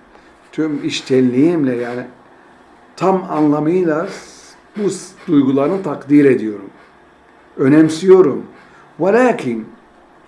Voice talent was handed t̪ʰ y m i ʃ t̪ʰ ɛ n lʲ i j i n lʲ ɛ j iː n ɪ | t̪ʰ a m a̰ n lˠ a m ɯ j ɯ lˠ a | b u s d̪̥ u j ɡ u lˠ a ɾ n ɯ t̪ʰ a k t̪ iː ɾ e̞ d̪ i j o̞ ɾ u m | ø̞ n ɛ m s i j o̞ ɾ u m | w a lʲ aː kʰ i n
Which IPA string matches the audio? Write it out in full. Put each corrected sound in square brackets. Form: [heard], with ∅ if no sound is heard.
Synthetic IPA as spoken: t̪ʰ y m i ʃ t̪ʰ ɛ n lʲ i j i [m] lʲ ɛ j [aː] n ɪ | t̪ʰ a m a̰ n lˠ a m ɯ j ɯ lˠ a | b u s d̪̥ u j ɡ u lˠ a ɾ n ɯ t̪ʰ a k [d̪] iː ɾ e̞ d̪ i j o̞ ɾ u m | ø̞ n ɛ m s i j o̞ ɾ u m | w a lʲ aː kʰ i n